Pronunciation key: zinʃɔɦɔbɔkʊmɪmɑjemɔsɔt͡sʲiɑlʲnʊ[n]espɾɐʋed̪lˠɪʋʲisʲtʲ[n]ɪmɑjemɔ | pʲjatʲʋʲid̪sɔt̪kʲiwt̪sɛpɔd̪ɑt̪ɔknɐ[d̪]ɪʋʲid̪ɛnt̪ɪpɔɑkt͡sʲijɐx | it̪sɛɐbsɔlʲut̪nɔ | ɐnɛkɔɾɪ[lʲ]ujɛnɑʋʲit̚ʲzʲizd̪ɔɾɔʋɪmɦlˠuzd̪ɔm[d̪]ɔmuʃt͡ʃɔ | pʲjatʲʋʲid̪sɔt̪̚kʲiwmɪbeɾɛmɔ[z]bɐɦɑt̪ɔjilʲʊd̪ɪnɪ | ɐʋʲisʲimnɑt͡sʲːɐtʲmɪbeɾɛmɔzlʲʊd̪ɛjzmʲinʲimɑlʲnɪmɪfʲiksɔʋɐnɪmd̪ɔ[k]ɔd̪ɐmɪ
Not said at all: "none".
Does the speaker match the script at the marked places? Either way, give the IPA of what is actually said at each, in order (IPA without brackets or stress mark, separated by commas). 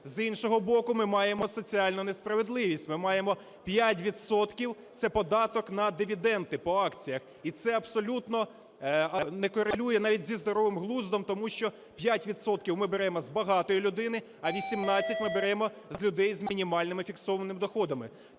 n, m, d̪, lʲ, t̪, z, x